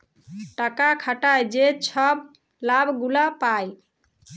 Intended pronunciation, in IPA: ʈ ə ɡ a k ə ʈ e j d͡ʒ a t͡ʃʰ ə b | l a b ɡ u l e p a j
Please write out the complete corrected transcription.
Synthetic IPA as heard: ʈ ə k a kʰ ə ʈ a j d͡ʒ e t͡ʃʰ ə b | l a b ɡ u l a p a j